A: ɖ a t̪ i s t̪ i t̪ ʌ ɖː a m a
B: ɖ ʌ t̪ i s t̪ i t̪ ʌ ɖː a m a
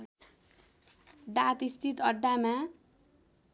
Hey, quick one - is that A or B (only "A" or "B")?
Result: A